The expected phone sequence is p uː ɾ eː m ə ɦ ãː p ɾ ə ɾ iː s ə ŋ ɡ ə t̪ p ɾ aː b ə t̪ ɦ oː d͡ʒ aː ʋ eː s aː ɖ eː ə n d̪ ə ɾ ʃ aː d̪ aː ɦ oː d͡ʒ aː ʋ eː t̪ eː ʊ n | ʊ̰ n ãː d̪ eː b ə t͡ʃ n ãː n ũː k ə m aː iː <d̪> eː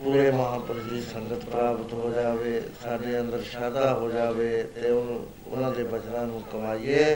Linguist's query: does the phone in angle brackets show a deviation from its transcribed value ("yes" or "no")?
yes